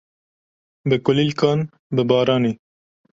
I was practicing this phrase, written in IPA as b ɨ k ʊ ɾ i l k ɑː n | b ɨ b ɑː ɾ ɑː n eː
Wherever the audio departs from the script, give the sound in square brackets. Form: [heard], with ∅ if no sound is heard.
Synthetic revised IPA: b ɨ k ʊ [l] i l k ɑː n | b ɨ b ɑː ɾ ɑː n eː